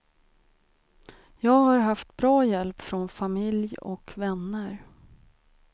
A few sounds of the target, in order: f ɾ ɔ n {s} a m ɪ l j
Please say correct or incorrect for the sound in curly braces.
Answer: incorrect